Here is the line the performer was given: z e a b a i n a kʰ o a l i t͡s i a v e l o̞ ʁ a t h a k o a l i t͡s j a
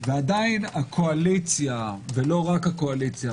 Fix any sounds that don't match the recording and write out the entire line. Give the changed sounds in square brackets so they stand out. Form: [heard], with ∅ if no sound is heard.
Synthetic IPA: [v] e a [d] a i n a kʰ o a l i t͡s [j] a v e l o̞ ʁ a [k] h a k o a l i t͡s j a